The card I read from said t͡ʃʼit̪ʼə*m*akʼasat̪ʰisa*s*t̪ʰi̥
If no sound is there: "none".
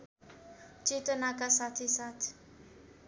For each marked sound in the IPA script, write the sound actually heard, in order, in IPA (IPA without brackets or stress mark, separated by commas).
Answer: n, none